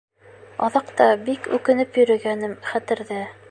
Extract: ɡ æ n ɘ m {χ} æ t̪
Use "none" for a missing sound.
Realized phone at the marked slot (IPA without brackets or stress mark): χ